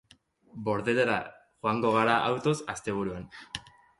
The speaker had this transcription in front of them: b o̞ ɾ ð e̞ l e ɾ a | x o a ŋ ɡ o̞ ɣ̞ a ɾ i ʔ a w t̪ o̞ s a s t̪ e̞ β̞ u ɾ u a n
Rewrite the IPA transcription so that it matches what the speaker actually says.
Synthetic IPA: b o̞ ɾ ð e̞ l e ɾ a | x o a ŋ ɡ o̞ ɣ̞ a ɾ a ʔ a w t̪ o̞ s a s t̪ e̞ β̞ u ɾ u a n